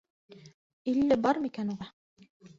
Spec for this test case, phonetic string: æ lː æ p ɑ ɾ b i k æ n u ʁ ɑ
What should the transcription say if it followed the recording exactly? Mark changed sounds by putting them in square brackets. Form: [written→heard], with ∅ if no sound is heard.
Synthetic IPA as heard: [æ→i] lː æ [p→b] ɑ ɾ [b→m] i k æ n u ʁ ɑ